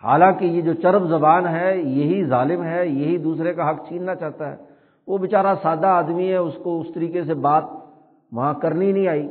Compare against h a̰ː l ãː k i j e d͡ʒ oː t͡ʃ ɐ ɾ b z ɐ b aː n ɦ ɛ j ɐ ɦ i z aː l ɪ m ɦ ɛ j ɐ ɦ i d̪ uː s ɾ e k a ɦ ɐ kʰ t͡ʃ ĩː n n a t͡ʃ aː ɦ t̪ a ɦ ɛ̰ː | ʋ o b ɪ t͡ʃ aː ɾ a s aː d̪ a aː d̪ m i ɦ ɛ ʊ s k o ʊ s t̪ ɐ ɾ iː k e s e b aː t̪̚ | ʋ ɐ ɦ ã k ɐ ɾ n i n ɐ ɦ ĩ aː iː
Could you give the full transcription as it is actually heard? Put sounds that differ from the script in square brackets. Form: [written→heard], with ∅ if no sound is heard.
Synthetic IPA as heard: h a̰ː l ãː k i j e d͡ʒ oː t͡ʃ ɐ ɾ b z ɐ b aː n ɦ ɛ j ɐ ɦ i z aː l ɪ m ɦ ɛ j ɐ ɦ i d̪ uː s ɾ e k a ɦ ɐ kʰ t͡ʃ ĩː n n a t͡ʃ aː ɦ t̪ a ɦ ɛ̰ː | ʋ o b ɪ t͡ʃ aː ɾ a s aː d̪ a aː d̪ m i ɦ ɛ ʊ s k o ʊ s t̪ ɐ ɾ iː k e s e b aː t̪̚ | ʋ ɐ ɦ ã k ɐ ɾ n i n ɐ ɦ ĩ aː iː